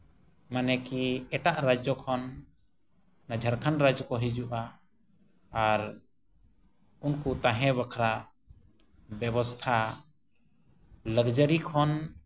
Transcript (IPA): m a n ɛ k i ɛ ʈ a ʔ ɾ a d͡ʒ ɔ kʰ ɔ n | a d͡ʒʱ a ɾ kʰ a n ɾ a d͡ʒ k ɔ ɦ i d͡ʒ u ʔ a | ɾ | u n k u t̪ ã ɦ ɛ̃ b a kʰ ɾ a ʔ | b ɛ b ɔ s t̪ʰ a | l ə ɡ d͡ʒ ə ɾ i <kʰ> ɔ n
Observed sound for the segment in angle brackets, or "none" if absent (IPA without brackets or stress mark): kʰ